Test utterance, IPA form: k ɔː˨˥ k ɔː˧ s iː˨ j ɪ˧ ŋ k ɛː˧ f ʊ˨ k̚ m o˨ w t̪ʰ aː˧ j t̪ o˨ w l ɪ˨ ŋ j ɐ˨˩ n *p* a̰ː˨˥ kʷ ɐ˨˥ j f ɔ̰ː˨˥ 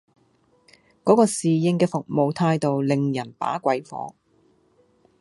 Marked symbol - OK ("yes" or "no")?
yes